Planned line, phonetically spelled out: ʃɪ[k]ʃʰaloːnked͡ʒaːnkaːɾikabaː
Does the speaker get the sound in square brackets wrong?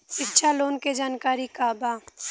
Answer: no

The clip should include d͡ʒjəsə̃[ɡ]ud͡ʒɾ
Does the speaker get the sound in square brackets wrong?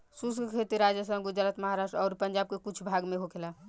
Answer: no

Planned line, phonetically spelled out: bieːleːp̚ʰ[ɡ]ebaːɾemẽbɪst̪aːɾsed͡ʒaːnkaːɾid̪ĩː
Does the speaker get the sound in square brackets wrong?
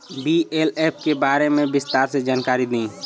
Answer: yes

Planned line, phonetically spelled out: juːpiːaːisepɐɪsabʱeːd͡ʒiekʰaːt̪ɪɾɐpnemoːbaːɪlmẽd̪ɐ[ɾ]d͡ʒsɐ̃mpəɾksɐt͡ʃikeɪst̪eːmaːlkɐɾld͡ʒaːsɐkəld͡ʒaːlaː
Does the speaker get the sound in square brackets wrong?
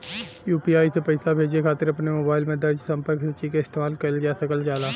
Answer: no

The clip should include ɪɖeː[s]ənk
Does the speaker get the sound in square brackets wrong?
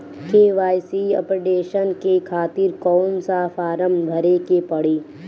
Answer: yes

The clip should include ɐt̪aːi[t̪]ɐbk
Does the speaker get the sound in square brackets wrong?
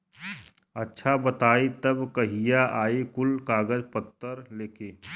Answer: no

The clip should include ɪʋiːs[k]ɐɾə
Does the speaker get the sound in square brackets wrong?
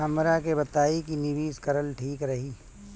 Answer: no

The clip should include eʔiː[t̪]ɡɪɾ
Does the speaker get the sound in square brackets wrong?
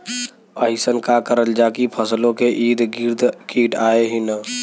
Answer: yes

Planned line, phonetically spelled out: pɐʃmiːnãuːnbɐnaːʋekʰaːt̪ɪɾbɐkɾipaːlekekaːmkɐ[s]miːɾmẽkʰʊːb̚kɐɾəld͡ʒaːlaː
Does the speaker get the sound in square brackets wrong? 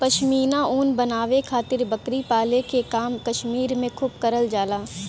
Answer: yes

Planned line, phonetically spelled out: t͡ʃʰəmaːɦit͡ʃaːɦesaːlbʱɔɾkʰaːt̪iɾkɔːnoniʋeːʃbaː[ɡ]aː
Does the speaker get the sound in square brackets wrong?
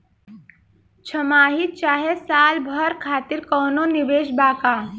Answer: yes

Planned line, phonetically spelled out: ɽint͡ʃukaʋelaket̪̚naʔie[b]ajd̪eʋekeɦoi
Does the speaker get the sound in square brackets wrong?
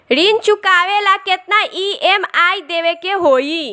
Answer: yes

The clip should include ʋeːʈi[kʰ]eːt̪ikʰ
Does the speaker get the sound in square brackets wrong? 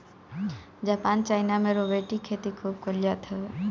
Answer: no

